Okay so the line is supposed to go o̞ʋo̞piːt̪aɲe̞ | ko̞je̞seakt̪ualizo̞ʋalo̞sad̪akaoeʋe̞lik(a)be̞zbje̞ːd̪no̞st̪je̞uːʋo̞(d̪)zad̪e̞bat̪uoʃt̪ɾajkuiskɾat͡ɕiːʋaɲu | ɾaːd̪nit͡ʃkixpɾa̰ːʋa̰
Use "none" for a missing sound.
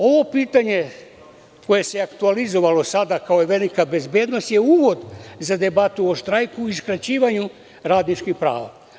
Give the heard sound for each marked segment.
a, d̪

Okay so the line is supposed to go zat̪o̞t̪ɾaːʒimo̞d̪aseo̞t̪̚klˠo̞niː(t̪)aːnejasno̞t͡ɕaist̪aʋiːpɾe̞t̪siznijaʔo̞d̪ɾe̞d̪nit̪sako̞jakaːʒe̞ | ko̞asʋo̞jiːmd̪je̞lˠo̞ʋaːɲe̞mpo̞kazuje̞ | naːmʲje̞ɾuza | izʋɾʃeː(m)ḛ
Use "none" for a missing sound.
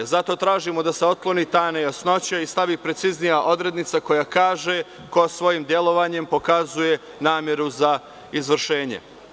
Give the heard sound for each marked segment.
t̪, ɲ

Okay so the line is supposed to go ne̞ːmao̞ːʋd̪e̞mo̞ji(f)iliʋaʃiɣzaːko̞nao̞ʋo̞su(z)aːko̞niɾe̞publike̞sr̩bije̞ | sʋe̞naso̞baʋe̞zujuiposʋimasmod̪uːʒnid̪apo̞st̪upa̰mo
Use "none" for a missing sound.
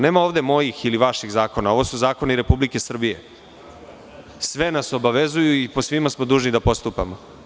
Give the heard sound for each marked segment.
x, z

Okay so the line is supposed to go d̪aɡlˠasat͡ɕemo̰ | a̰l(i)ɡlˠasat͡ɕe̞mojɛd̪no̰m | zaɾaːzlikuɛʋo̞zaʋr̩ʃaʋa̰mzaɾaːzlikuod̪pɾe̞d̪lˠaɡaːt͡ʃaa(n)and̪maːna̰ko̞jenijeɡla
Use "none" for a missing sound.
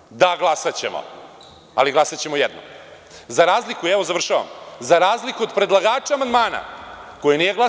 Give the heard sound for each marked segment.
i, m

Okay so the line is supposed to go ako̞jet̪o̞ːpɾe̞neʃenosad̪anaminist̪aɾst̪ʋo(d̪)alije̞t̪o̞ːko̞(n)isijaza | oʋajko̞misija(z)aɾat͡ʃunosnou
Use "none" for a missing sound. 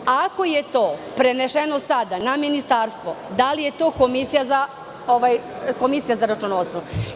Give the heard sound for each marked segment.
d̪, m, z

